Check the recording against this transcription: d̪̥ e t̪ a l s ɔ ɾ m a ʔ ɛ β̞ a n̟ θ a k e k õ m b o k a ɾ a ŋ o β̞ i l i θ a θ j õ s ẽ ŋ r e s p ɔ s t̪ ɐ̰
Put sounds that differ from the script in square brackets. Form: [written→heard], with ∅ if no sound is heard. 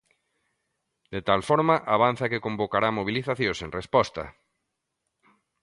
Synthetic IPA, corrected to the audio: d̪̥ e t̪ a l [s→f] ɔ ɾ m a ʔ [ɛ→a] β̞ a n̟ θ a k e k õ m b o k a ɾ a [ŋ→m] o β̞ i l i θ a θ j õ s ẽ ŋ r e s p ɔ s t̪ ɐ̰